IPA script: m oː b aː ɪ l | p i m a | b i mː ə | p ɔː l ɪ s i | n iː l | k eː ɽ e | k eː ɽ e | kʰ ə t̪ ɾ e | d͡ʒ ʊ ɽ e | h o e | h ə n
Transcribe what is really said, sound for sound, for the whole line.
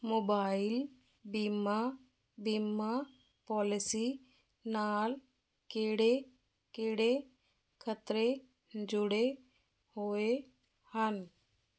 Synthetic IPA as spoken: m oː b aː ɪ l | b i m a | b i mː a | p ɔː l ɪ s i | n aː l | k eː ɽ e | k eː ɽ e | kʰ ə t̪ ɾ e | d͡ʒ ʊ ɽ e | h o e | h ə n

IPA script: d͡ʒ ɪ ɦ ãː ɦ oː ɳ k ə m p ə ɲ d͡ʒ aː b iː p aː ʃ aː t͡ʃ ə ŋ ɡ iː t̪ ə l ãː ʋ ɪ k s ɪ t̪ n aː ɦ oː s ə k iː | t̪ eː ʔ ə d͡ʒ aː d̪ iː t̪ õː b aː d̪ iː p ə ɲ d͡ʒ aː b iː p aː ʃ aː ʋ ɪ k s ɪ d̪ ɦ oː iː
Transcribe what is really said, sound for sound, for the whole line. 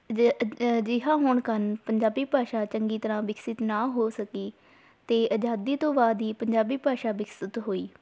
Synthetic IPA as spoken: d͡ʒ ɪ ɦ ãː ɦ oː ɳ k ə n p ə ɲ d͡ʒ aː b iː p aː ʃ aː t͡ʃ ə ŋ ɡ iː t̪ ə ɾ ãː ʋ ɪ k s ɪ t̪ n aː ɦ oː s ə k iː | t̪ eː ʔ ə d͡ʒ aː d̪ iː t̪ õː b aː d̪ iː p ə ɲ d͡ʒ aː b iː p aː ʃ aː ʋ ɪ k s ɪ t̪ ɦ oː iː

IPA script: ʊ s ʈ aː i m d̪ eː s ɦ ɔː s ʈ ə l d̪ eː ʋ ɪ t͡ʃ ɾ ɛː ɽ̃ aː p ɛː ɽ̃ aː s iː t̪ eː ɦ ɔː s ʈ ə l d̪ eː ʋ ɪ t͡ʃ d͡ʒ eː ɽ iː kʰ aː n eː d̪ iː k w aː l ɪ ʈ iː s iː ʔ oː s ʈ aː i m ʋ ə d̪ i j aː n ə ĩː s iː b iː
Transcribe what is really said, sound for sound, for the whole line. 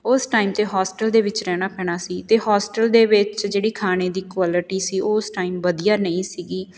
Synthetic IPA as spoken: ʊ s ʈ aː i m t̪ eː ɦ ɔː s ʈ ə l d̪ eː ʋ ɪ t͡ʃ ɾ ɛː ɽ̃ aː p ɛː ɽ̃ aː s iː t̪ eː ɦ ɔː s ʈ ə l d̪ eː ʋ ɪ t͡ʃ d͡ʒ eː ɽ iː kʰ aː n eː d̪ iː k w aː l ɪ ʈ iː s iː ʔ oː s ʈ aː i m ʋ ə d̪ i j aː n ə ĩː s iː ɡ iː

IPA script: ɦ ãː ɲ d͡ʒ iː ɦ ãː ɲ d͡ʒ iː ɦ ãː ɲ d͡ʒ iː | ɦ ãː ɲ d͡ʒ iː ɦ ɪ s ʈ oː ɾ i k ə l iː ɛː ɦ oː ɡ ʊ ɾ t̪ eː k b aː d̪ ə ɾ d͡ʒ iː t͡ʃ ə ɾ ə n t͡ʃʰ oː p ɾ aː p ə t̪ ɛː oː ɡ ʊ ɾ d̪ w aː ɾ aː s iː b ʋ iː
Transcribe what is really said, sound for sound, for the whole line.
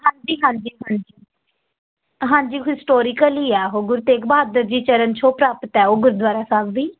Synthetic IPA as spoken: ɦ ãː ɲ d͡ʒ iː ɦ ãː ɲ d͡ʒ iː ɦ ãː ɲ d͡ʒ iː | ɦ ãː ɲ d͡ʒ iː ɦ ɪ s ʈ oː ɾ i k ə l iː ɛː ɦ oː ɡ ʊ ɾ t̪ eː k b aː d̪ ə ɾ d͡ʒ iː t͡ʃ ə ɾ ə n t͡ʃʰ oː p ɾ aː p ə t̪ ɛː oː ɡ ʊ ɾ d̪ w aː ɾ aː s aː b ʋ iː

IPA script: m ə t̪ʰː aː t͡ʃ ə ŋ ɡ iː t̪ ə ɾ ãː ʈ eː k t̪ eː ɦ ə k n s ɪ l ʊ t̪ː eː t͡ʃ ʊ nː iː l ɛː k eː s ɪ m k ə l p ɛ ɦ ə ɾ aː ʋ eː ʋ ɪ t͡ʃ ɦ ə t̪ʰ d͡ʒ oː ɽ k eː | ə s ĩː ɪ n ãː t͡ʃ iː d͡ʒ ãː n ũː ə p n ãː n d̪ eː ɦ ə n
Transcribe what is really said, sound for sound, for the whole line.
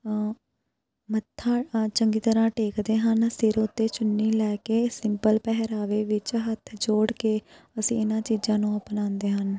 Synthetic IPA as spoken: m ə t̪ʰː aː t͡ʃ ə ŋ ɡ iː t̪ ə ɾ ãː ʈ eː k d̪ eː ɦ ə n s ɪ ɾ ʊ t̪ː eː t͡ʃ ʊ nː iː l ɛː k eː s ɪ m p ə l p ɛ ɦ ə ɾ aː ʋ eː ʋ ɪ t͡ʃ ɦ ə t̪ʰ d͡ʒ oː ɽ k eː | ə s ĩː ɪ n ãː t͡ʃ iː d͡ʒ ãː n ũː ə p n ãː n d̪ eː ɦ ə n

